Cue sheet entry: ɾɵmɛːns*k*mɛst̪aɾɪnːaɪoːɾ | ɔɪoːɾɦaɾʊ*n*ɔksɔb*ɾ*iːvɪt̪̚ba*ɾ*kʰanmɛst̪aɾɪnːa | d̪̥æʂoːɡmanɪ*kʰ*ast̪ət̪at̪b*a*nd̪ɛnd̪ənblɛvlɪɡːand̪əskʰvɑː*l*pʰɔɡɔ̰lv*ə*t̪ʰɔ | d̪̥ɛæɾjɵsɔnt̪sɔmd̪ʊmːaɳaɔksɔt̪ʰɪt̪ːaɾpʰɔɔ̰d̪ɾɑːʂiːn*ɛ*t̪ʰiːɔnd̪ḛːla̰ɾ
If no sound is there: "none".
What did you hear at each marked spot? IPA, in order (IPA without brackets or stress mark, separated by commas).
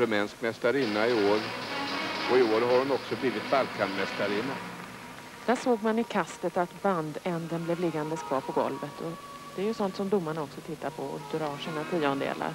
k, n, l, l, kʰ, a, ɾ, ə, a